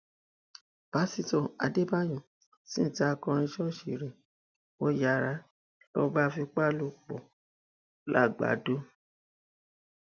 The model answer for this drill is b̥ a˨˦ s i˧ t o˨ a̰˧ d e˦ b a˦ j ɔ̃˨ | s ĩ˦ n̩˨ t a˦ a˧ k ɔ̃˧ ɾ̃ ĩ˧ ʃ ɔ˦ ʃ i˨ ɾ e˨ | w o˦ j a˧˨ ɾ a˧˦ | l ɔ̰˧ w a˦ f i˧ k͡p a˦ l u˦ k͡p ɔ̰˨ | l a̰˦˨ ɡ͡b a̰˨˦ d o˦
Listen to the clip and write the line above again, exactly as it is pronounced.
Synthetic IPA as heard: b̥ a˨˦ s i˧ t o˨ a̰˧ d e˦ b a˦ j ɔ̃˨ | s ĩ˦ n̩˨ t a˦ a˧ k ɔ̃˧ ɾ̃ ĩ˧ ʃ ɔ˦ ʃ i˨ ɾ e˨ | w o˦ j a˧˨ ɾ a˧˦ | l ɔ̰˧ b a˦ f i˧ k͡p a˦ l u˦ k͡p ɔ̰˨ | l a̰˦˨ ɡ͡b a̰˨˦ d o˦